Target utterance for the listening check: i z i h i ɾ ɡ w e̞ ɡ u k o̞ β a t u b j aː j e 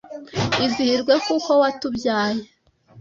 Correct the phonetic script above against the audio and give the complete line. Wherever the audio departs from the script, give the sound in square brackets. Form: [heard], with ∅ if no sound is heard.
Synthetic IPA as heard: i z i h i ɾ ɡ w e̞ [k] u k o̞ [w] a t u b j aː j e